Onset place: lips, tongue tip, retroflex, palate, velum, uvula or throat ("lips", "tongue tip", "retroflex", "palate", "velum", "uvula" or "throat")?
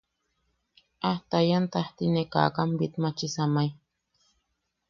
throat